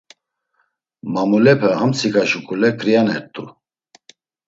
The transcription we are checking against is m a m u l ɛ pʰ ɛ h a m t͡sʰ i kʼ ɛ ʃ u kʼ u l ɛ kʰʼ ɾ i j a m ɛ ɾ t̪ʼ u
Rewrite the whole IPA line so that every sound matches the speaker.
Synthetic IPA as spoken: m a m u l ɛ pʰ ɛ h a m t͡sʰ i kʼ a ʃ u kʼ u l ɛ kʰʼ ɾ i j a n ɛ ɾ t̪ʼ u